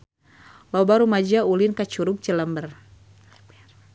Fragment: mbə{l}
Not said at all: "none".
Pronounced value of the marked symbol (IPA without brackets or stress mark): r